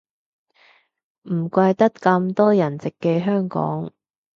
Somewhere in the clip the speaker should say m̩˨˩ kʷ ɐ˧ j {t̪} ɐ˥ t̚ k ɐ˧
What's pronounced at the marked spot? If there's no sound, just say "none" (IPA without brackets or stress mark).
t̪